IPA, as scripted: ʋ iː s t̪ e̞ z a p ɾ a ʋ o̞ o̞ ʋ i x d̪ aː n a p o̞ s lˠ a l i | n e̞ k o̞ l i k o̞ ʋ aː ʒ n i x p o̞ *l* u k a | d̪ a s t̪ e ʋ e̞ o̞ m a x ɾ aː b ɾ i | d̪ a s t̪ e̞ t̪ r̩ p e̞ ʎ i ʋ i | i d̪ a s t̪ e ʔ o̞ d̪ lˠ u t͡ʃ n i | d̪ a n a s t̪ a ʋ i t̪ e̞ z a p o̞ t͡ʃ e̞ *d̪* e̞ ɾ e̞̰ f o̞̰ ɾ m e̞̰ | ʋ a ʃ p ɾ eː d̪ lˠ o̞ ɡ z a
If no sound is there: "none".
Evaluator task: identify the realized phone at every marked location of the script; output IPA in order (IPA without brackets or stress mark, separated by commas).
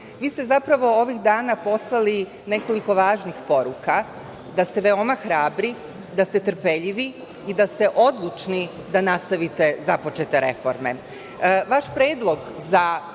ɾ, t̪